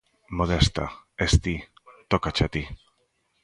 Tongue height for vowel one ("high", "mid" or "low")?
mid